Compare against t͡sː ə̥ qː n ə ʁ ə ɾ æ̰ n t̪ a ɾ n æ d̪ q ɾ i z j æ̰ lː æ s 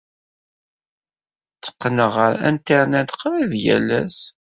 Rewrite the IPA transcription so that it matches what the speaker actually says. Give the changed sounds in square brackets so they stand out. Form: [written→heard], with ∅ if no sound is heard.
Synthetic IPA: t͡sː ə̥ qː n ə ʁ ə ɾ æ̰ n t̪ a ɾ n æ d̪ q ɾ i [z→ð] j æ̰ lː æ s